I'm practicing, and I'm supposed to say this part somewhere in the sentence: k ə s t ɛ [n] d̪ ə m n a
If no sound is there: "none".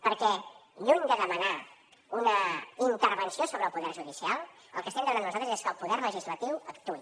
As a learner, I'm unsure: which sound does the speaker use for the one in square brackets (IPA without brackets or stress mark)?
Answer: m